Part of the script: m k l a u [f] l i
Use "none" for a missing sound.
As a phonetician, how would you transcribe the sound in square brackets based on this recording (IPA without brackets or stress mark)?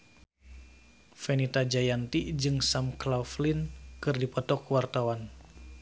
f